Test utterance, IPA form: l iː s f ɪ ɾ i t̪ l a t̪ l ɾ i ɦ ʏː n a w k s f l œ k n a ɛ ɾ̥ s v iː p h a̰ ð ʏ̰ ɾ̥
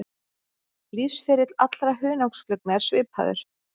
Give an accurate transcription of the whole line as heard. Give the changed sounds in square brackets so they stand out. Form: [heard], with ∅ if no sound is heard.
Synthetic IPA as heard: l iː s f ɪ ɾ [ɪ] t̪ l a t̪ l ɾ [a] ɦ ʏː n a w k s f l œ k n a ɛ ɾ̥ s v [ɪː] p h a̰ ð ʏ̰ ɾ̥